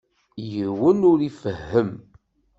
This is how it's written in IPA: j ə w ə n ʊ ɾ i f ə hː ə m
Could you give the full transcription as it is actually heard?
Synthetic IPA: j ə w ə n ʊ ɾ i f ə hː ə m